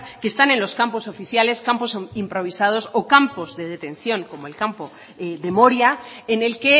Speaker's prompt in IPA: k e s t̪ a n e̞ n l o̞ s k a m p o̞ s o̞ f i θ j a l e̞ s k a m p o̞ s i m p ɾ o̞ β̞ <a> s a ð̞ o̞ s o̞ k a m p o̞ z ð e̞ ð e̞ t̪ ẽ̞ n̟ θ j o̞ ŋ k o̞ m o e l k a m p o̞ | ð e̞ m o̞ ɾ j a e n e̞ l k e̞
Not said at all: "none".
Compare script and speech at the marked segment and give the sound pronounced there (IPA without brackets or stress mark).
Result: i